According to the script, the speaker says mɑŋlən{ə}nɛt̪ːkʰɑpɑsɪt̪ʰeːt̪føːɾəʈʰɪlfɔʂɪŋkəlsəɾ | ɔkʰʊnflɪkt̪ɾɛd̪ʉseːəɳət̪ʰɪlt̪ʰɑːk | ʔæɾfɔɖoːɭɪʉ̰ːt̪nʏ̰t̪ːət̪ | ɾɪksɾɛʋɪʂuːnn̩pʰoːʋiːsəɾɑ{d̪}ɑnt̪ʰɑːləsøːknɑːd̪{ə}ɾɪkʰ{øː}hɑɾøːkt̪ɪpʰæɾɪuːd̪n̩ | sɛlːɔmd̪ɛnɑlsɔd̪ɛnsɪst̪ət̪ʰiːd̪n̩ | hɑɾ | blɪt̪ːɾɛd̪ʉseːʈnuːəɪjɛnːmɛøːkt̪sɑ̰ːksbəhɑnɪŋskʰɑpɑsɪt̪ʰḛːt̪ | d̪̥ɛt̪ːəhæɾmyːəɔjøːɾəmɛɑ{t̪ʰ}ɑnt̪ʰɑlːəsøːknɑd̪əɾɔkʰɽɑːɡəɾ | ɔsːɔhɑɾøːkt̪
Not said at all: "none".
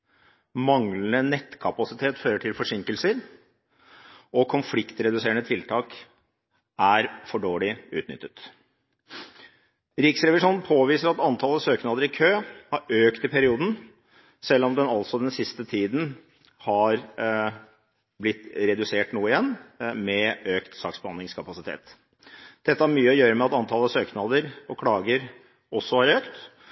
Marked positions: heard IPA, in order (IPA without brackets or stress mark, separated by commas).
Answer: ə, t̪, ə, øː, t̪